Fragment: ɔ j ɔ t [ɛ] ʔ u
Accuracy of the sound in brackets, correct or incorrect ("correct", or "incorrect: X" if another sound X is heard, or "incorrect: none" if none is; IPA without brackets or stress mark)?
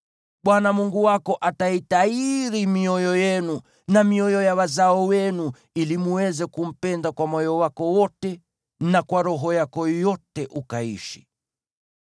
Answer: correct